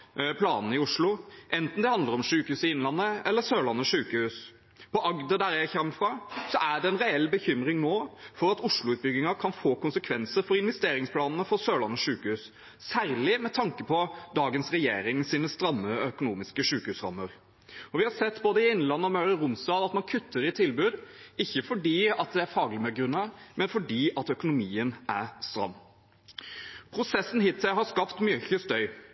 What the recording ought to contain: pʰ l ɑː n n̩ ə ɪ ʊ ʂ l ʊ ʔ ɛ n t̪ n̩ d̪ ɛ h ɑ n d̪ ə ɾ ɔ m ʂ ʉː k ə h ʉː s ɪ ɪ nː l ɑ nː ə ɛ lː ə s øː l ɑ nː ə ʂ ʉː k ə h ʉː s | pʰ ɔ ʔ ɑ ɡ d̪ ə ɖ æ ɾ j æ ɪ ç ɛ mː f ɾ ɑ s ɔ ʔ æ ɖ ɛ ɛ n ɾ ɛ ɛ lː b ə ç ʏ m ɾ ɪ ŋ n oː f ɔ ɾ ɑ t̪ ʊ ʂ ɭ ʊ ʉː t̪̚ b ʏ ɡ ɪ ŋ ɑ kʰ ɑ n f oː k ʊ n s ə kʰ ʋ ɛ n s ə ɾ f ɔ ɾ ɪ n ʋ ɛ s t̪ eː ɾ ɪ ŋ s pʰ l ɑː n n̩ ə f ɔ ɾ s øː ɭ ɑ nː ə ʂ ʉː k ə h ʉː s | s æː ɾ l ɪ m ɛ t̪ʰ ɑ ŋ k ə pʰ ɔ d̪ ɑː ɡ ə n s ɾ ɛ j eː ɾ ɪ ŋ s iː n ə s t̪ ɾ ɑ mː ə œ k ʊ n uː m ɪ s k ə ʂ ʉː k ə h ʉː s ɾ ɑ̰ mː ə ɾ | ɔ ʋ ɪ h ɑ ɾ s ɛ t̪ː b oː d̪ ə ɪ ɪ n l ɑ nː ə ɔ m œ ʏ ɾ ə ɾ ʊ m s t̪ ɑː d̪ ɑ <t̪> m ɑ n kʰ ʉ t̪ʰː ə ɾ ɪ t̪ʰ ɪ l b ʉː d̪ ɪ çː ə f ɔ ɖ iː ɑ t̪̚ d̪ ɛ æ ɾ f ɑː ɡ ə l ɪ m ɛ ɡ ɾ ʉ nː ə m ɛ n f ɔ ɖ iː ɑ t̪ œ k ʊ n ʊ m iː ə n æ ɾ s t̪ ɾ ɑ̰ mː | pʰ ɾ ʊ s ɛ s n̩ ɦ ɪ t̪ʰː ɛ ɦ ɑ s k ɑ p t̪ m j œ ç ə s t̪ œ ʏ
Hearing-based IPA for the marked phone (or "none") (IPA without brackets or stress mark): t̪